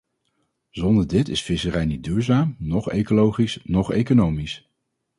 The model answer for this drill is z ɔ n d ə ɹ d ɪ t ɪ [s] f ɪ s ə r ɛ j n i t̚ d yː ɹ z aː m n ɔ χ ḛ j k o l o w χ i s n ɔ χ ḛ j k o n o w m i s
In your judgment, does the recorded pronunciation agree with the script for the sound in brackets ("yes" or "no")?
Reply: yes